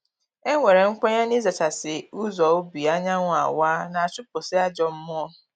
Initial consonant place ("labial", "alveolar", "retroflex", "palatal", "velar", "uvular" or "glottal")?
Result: velar